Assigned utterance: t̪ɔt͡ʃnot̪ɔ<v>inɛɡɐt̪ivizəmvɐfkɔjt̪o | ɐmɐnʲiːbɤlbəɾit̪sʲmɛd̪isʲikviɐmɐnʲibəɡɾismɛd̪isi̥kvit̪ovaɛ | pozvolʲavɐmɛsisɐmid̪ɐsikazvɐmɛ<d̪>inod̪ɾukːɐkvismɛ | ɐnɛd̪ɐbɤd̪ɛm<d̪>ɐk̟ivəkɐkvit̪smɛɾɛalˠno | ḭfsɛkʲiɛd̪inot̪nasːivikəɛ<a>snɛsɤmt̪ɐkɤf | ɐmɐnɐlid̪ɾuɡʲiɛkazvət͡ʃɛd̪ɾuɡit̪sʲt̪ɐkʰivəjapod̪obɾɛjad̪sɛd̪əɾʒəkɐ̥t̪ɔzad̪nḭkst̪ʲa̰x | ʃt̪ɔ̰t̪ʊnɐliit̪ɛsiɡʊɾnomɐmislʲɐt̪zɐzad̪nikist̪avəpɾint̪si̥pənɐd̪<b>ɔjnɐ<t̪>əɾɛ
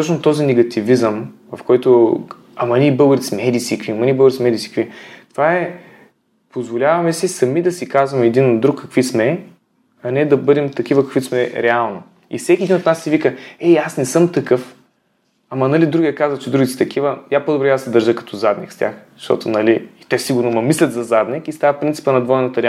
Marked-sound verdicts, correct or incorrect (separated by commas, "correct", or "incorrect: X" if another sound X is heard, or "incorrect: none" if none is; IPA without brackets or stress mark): incorrect: z, correct, incorrect: t̪, correct, incorrect: v, correct